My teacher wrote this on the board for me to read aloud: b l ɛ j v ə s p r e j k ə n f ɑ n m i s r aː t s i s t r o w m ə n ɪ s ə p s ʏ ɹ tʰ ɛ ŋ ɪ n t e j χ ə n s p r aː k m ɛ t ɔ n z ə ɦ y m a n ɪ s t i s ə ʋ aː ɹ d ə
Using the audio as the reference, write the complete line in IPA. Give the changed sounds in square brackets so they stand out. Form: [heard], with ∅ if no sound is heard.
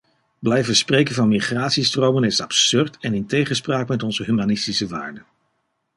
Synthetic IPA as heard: b l ɛ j v ə s p r e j k ə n [v] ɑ n m i [χ] r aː t s i s t r o w m ə n ɪ s [ɑ] p s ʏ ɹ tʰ ɛ [n] ɪ n t e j χ ə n s p r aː k m ɛ t ɔ n z ə ɦ y m a n ɪ s t i s ə ʋ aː ɹ d ə